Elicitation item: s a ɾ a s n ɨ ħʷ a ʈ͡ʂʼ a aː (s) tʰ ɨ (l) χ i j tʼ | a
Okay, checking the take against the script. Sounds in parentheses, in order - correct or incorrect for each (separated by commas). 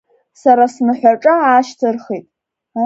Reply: incorrect, incorrect